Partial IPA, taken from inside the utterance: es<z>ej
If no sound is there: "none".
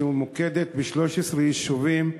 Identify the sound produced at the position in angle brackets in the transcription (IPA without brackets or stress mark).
ʁ